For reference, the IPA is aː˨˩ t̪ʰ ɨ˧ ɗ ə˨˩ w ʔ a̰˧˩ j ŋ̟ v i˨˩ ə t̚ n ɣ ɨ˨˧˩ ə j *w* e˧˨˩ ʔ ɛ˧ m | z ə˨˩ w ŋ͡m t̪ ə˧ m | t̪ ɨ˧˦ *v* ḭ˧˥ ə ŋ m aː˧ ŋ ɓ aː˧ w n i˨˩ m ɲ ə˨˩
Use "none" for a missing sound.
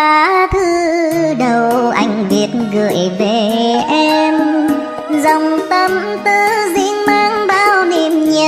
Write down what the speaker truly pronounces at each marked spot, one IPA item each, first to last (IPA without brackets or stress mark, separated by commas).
v, z